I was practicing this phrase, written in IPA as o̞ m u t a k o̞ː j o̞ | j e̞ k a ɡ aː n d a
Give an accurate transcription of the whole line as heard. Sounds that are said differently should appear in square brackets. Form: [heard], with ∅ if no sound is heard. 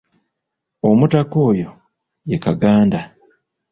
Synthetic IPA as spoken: o̞ m u t a k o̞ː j o̞ | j e̞ k a ɡ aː n d a